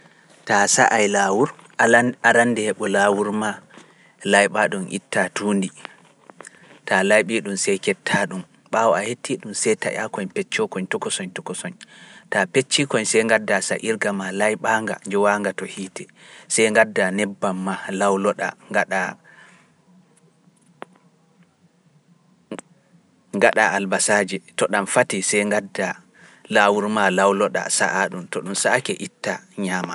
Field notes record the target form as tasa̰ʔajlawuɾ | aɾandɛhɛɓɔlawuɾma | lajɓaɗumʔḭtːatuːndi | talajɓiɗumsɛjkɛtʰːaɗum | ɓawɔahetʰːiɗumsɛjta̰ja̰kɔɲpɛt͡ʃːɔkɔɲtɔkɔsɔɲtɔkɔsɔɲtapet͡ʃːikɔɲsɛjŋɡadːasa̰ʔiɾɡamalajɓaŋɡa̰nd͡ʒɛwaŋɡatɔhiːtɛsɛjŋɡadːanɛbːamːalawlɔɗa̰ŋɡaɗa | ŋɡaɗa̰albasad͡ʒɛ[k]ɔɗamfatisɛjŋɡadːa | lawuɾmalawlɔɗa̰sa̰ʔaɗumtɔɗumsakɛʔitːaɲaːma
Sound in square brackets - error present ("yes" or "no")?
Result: yes